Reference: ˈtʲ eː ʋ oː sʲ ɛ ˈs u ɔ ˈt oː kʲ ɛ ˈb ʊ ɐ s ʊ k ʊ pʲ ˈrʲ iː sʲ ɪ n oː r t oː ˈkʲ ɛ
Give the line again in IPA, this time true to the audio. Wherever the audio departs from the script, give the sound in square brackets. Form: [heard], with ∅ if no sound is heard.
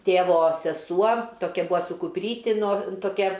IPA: ˈtʲ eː ʋ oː sʲ ɛ ˈs u ɔ ˈt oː kʲ ɛ ˈb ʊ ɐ s ʊ k ʊ pʲ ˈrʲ iː [tʲ] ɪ n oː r t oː ˈkʲ ɛ